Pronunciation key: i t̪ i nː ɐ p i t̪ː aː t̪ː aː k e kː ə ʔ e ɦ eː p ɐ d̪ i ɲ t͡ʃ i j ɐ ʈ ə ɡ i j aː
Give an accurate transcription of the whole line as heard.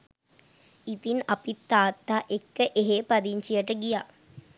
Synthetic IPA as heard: i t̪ i n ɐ p i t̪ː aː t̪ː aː ʔ e kː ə ʔ e ɦ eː p ɐ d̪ i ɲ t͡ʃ i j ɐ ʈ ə ɡ i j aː